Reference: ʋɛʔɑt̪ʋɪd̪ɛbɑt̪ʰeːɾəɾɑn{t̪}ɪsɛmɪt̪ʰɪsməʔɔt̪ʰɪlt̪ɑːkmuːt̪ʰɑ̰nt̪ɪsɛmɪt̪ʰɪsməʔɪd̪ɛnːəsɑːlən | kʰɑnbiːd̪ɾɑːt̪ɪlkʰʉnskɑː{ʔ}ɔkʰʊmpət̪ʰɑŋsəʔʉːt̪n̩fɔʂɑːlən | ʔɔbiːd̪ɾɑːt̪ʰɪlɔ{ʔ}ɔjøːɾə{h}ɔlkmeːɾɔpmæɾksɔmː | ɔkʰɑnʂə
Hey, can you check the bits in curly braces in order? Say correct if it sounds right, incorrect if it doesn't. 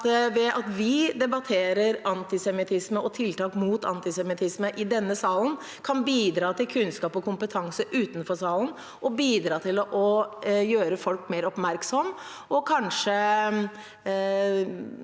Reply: correct, incorrect, correct, incorrect

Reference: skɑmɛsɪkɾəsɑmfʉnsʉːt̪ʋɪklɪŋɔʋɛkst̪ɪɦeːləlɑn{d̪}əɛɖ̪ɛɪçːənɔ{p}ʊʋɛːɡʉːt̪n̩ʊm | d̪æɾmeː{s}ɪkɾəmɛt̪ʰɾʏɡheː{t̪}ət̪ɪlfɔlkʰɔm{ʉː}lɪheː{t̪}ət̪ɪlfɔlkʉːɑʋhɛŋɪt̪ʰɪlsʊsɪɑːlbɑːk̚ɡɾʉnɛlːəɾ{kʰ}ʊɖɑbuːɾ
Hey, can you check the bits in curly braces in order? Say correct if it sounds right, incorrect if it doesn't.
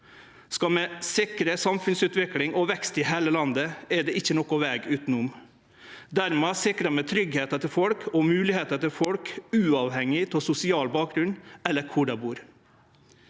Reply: correct, incorrect, correct, correct, correct, correct, correct

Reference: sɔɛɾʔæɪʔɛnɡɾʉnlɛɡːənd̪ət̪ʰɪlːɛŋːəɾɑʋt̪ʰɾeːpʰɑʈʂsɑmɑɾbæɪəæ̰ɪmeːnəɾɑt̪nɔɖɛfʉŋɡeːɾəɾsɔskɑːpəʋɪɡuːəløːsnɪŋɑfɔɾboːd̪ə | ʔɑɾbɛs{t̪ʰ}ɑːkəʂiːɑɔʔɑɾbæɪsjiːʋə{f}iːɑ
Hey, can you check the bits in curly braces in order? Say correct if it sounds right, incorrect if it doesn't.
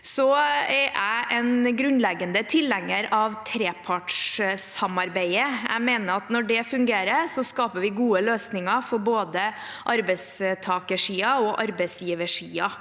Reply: correct, incorrect

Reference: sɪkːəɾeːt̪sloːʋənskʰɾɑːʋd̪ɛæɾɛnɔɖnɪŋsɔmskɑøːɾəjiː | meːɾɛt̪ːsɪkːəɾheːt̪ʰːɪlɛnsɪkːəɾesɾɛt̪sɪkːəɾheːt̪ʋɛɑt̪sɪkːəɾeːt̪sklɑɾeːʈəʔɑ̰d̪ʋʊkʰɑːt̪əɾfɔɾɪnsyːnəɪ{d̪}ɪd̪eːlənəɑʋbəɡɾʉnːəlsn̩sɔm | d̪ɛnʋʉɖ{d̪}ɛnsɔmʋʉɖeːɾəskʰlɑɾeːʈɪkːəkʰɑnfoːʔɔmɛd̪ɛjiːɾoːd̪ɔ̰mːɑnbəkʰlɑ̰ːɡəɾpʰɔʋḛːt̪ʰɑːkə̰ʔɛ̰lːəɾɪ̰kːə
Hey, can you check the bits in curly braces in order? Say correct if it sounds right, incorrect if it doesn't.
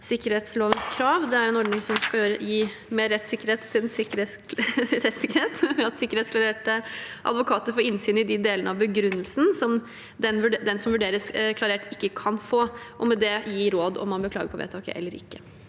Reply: correct, correct

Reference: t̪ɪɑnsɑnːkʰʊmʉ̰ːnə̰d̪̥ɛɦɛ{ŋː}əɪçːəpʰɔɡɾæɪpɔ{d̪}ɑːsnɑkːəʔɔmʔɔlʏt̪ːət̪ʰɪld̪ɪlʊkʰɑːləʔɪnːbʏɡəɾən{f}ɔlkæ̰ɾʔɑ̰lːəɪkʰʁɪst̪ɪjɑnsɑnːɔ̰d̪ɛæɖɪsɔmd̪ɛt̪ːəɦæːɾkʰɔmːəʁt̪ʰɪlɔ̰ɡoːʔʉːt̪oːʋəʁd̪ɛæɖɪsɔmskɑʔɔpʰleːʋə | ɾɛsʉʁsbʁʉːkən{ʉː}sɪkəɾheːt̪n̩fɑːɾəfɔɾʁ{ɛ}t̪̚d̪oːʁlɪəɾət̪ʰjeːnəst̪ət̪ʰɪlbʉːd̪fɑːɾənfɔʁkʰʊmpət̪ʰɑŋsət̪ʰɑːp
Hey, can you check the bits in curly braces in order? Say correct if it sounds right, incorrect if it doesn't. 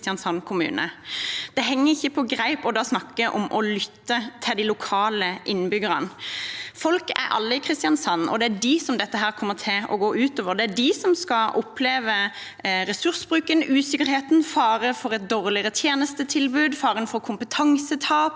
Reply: correct, correct, correct, correct, correct

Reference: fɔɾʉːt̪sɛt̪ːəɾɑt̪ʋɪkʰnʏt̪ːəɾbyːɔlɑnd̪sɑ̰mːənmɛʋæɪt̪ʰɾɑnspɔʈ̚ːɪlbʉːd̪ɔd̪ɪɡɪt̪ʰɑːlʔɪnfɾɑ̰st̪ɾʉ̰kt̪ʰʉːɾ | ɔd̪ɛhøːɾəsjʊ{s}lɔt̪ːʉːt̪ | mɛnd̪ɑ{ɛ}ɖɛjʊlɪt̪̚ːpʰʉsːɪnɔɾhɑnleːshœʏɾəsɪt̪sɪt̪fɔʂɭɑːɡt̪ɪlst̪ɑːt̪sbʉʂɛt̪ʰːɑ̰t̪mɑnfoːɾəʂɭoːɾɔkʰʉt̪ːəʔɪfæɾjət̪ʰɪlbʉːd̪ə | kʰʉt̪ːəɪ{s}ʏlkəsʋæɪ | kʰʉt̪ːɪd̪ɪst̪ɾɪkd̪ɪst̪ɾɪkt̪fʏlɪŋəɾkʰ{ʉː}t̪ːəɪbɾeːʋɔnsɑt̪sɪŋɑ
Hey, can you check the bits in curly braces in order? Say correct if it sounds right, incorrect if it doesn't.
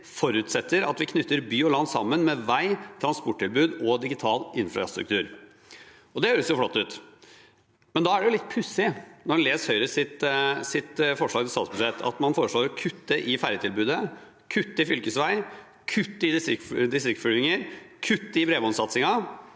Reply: incorrect, incorrect, incorrect, incorrect

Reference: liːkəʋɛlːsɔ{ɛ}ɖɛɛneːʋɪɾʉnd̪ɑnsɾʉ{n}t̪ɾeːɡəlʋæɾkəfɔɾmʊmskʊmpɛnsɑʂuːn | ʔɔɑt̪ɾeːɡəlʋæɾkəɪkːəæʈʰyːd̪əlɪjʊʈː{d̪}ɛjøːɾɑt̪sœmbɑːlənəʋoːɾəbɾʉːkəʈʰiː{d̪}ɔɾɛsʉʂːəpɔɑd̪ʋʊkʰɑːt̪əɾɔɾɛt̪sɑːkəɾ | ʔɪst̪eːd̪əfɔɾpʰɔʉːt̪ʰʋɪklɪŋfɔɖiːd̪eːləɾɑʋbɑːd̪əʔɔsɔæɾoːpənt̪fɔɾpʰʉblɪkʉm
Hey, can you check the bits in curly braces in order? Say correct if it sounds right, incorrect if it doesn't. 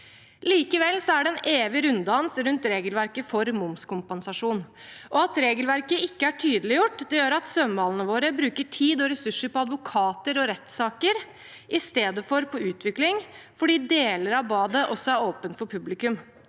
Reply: incorrect, correct, correct, correct

